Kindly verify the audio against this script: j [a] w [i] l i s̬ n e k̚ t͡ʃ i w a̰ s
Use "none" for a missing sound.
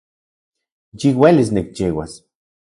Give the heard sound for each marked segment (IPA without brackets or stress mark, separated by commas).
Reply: i, e